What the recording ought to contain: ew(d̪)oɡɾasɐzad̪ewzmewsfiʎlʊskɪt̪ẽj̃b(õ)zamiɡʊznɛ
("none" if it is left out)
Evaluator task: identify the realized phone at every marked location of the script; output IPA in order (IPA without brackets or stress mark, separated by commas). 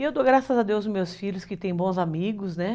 d̪, õ